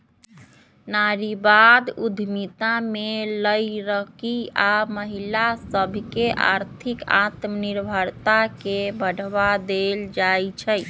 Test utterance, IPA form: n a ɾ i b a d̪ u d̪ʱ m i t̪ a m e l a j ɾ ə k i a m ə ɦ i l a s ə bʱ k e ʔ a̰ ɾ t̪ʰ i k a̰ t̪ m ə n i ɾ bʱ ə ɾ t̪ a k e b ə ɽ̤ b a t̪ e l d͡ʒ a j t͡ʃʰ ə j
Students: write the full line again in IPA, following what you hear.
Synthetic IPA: n a ɾ i b a d̪ u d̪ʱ m i t̪ a m e l ə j ɾ ə k i a m ə ɦ i l a s ə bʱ k e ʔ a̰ ɾ t̪ʰ i k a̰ t̪ m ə n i ɾ bʱ ə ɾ t̪ a k e b ə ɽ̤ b a d̪ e l d͡ʒ a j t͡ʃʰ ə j